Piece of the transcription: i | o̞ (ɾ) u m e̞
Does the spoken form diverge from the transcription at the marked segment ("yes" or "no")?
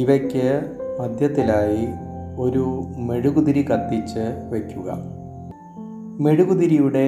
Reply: no